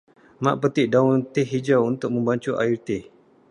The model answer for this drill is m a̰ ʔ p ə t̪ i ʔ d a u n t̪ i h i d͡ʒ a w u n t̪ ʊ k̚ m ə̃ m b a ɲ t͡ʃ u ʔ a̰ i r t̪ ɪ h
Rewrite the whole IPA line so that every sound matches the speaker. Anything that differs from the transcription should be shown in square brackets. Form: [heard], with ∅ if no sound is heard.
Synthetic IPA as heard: m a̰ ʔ p ə t̪ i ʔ d a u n t̪ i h i d͡ʒ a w u n t̪ ʊ k̚ m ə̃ m b a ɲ t͡ʃ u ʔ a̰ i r t̪ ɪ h